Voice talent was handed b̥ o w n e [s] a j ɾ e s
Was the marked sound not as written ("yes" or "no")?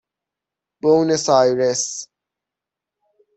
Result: no